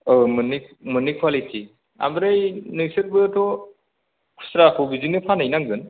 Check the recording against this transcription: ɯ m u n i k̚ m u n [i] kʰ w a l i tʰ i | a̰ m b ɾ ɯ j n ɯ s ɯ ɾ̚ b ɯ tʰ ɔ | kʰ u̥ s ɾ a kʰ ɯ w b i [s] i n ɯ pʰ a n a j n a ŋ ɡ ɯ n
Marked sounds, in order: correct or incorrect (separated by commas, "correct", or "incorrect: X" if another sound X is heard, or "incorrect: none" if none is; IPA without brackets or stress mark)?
correct, incorrect: z